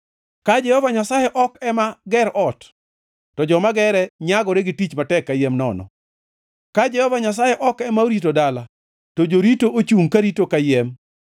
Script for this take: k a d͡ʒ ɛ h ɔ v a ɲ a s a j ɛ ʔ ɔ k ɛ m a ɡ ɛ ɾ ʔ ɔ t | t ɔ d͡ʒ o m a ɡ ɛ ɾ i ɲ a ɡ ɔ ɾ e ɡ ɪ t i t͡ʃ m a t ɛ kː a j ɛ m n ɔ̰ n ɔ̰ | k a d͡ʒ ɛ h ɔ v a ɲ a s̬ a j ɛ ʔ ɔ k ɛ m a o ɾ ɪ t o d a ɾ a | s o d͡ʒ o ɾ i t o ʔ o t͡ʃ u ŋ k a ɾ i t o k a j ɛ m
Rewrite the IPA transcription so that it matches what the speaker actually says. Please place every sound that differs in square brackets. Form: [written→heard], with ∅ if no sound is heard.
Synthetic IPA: k a d͡ʒ ɛ h ɔ v a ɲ a s a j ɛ ʔ ɔ k ɛ m a ɡ ɛ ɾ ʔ ɔ t | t ɔ d͡ʒ [o→ɔ] m a ɡ ɛ ɾ [i→ɛ] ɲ a ɡ ɔ ɾ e ɡ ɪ t i t͡ʃ m a t ɛ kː a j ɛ m n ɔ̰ n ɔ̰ | k a d͡ʒ ɛ h ɔ v a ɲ a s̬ a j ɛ ʔ ɔ k ɛ m a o ɾ [ɪ→i] t o d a [ɾ→l] a | [s→t] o d͡ʒ o ɾ i t o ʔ o t͡ʃ u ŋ k a ɾ i t o k a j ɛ m